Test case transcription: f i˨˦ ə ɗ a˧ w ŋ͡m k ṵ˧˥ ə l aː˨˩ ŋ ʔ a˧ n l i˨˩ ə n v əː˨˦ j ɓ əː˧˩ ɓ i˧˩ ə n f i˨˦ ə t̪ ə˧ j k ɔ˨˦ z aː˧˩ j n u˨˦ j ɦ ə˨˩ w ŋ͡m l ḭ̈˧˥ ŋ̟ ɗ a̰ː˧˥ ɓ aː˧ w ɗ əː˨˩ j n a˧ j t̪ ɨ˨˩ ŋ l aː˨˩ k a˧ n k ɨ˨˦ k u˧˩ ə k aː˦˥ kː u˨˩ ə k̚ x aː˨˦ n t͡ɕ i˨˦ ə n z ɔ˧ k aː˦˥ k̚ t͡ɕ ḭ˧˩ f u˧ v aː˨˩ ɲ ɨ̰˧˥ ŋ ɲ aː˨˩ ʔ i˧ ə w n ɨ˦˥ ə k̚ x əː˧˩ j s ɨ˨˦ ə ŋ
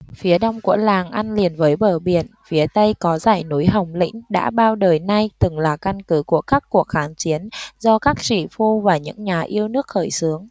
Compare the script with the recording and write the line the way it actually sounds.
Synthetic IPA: f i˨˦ ə ɗ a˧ w ŋ͡m k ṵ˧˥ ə l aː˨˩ ŋ ʔ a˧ n l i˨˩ ə n v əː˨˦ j ɓ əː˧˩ ɓ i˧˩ ə n f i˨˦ ə t̪ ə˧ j k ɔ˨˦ z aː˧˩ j n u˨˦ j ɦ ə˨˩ w ŋ͡m l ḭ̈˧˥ ŋ̟ ɗ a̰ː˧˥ ɓ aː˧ w ɗ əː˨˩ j n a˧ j t̪ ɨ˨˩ ŋ l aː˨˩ k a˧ n k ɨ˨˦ k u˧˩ ə k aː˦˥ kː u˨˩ ə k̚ x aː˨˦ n t͡ɕ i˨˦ ə n z ɔ˧ k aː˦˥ k̚ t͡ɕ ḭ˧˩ f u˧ v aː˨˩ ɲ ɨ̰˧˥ ŋ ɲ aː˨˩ ʔ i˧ ə w n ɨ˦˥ ə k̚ x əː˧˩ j s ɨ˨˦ ə ŋ